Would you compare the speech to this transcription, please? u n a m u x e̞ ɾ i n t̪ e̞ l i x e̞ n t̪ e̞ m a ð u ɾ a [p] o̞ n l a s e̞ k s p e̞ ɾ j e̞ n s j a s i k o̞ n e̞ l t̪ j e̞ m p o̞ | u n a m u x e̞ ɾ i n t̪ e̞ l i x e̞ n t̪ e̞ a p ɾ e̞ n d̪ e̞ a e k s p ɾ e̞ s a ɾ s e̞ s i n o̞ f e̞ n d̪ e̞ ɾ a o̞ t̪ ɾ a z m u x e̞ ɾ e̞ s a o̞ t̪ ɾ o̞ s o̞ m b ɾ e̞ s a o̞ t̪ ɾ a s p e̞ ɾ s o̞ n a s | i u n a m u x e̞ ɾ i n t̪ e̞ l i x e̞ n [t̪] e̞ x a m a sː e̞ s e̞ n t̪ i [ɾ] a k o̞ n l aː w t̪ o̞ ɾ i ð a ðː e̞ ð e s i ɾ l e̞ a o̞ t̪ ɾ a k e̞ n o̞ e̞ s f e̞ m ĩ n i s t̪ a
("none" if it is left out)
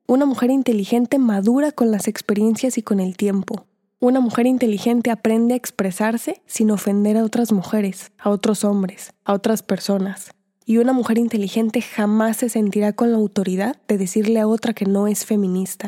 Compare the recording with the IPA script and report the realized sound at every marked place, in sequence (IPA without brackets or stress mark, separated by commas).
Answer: k, t̪, ɾ